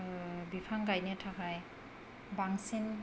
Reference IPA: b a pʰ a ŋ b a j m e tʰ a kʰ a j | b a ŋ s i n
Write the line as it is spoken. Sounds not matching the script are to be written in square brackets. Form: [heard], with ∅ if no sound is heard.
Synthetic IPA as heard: b [i] pʰ a ŋ [ɡ] a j [n] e tʰ a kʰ a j | b a ŋ s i n